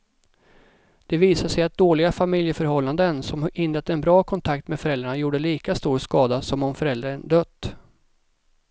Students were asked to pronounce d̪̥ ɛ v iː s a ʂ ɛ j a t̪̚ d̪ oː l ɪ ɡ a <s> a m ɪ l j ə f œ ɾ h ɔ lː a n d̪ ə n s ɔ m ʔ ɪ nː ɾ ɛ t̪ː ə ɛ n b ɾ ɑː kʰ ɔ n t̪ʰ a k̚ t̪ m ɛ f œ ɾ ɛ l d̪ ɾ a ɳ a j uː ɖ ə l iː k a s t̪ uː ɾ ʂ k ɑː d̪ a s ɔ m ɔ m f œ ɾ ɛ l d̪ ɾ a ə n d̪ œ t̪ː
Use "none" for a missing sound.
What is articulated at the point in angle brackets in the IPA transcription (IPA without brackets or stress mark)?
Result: f